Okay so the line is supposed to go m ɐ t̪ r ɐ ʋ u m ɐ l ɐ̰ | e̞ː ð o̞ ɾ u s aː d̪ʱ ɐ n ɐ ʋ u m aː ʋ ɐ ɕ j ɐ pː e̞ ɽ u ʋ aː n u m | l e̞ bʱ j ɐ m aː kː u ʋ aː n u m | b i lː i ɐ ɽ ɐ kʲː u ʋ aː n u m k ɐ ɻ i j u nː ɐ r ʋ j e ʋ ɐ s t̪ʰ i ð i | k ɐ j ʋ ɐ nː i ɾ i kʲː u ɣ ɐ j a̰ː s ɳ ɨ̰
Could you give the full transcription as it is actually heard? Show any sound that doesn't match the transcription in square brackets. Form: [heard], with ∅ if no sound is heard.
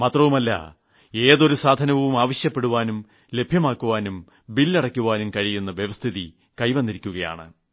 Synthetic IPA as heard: m ɐ t̪ r ɐ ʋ u m ɐ [lː] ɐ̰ | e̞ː ð o̞ ɾ u s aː d̪ʱ ɐ n ɐ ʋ u m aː ʋ ɐ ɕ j ɐ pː e̞ ɽ u ʋ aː n u m | l e̞ bʱ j ɐ m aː kː u ʋ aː n u m | b i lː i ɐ ɽ ɐ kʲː u ʋ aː n u m k ɐ ɻ i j u nː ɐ [∅] ʋ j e ʋ ɐ s t̪ʰ i ð i | k ɐ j ʋ ɐ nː i ɾ i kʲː u ɣ ɐ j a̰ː [∅] ɳ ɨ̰